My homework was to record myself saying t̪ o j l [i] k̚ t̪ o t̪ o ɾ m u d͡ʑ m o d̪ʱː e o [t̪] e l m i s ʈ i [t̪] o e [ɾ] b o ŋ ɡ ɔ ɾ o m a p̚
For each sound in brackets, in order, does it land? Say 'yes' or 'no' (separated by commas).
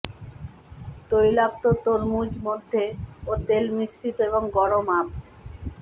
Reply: no, yes, yes, no